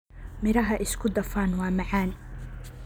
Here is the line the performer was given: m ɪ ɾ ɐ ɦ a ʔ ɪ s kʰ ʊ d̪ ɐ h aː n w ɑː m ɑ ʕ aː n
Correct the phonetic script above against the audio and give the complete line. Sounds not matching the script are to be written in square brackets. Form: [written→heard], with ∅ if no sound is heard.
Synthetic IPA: m ɪ ɾ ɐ ɦ [a→ɐ] ʔ ɪ s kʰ ʊ d̪ ɐ [h→f] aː n w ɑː m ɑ ʕ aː n